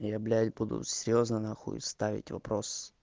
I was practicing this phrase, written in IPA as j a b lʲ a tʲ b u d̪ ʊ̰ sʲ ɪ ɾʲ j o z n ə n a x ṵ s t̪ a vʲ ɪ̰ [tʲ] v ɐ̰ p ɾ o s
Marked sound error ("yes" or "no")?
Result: no